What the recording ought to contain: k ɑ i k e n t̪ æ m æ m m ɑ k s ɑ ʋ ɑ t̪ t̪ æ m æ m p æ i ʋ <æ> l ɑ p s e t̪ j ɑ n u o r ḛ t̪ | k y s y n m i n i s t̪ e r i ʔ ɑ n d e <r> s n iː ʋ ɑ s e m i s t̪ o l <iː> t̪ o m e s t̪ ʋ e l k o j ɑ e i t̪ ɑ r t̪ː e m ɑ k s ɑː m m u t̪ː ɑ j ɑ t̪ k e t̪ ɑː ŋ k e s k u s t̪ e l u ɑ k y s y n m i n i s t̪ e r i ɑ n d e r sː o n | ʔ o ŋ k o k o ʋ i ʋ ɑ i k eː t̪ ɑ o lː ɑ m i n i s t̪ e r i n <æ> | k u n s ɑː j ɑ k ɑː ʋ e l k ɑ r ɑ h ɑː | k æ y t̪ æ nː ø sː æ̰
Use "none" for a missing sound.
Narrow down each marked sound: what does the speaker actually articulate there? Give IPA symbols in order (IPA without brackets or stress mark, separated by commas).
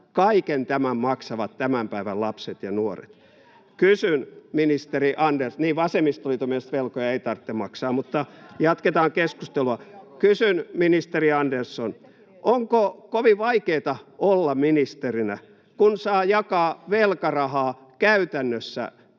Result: æ, r, i, æ